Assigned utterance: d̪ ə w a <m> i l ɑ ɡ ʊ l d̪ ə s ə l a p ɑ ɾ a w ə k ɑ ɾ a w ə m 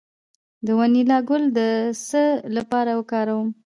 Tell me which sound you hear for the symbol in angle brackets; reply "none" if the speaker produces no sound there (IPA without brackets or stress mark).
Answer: n